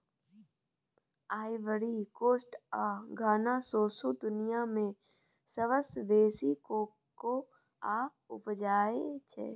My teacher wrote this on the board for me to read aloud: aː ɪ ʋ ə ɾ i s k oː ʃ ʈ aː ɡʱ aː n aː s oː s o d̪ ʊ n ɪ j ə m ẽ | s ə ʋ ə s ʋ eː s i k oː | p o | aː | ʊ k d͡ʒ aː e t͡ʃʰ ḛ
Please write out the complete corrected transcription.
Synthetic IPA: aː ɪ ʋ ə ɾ i k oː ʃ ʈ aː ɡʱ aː n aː s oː s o d̪ ʊ n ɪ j a m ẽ | s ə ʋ ə s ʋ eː s i k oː | k o | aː | ʊ p d͡ʒ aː e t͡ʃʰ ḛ

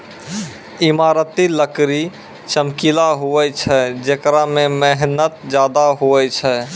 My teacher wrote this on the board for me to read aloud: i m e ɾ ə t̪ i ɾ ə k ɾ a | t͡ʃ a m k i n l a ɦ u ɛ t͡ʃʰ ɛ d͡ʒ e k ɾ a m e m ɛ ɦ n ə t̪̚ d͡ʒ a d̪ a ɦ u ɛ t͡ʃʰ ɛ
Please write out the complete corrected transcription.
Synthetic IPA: i m a ɾ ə t̪ i l ə k ɾ i | t͡ʃ ə m k i l a ɦ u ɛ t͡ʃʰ ɛ d͡ʒ e k ɾ a m e m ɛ ɦ n ə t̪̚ d͡ʒ a d̪ a ɦ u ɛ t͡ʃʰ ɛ

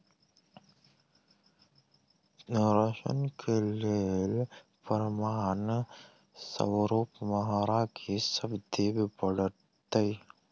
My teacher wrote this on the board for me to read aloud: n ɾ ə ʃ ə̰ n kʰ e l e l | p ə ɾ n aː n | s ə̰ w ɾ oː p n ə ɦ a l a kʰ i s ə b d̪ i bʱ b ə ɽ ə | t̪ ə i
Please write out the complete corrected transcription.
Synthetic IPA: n ɾ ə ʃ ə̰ n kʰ e l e l | p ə ɾ m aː n | s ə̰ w ɾ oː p m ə ɦ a ɾ a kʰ i s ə b d̪ i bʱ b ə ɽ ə | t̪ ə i

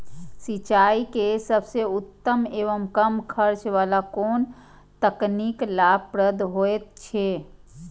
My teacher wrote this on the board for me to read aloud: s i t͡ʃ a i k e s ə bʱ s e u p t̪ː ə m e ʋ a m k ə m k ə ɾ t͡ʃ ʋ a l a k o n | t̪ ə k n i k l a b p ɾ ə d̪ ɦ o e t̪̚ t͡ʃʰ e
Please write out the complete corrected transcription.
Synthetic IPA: s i t͡ʃ a i k e s ə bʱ s e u t̪ː ə m e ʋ ə m k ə m kʰ ə ɾ t͡ʃ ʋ a l a k o n | t̪ ə k n i k l a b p ɾ ə d̪ ɦ o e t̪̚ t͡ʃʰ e

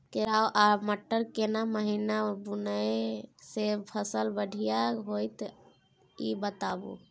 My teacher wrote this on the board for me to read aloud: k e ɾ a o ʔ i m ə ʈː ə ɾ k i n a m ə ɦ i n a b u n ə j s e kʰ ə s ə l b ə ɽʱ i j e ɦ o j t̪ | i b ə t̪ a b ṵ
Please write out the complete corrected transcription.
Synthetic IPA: k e ɾ a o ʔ a m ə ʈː ə ɾ k e n a m ə ɦ i n a b u n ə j s e pʰ ə s ə l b ə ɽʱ i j a ɦ o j t̪ | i b ə t̪ a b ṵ

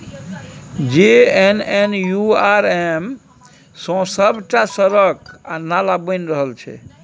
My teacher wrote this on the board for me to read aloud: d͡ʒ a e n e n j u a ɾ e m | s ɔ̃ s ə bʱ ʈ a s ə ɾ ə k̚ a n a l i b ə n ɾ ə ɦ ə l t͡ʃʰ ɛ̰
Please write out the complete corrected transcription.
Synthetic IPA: d͡ʒ e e n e n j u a ɾ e m | s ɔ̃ s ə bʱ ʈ a s ə ɾ ə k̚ a n a l a b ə n ɾ ə ɦ ə l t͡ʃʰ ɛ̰

